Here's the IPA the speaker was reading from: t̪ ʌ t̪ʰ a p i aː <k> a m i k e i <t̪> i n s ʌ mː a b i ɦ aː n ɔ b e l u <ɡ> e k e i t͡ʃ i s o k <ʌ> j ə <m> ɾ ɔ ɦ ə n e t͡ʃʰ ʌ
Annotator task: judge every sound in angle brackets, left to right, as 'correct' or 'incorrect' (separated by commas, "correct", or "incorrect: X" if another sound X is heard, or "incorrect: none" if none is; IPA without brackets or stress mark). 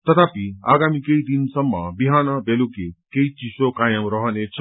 incorrect: ɡ, incorrect: d̪, incorrect: k, incorrect: a, correct